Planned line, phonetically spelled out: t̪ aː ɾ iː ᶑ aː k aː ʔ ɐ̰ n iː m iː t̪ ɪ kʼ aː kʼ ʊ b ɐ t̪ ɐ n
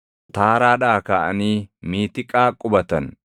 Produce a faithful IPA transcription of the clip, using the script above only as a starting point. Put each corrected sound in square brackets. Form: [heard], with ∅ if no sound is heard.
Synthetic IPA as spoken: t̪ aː ɾ [aː] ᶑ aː k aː ʔ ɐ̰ n iː m iː t̪ ɪ kʼ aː kʼ ʊ b ɐ t̪ ɐ n